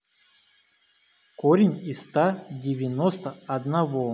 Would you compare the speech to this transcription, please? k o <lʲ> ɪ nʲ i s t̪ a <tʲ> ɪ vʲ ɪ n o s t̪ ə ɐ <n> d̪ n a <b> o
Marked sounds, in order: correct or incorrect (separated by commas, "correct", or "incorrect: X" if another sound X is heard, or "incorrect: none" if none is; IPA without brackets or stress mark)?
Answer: incorrect: ɾʲ, incorrect: dʲ, incorrect: none, incorrect: v